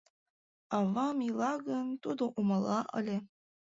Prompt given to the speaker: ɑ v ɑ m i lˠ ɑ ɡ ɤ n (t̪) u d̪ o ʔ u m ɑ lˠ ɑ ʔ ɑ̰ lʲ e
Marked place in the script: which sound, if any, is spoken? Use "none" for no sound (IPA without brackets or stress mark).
t̪